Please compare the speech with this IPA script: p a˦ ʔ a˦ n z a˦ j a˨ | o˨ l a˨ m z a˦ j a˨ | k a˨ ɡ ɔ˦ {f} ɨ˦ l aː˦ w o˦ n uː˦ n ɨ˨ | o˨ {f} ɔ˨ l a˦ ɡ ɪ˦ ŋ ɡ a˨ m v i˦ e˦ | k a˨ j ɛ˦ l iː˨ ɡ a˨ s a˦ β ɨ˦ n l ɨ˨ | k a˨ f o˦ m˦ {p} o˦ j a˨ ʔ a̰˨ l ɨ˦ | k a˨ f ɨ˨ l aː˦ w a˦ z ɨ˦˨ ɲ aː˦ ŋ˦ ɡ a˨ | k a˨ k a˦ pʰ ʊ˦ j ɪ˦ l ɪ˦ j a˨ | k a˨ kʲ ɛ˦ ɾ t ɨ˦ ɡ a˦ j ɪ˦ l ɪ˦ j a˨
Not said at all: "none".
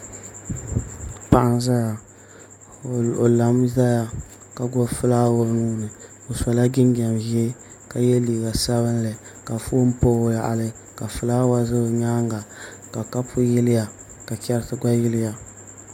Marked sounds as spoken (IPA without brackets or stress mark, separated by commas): f, s, p